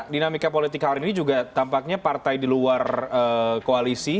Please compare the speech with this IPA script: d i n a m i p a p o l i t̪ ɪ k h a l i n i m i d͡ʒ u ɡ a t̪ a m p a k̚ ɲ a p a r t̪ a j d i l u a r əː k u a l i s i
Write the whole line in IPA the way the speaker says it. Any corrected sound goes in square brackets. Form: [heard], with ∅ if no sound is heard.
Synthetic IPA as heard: d i n a m i [k] a p o l i t̪ ɪ k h a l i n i [n] i d͡ʒ u ɡ a t̪ a m p a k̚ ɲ a p a r t̪ a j d i l u a r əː k [o] a l i s i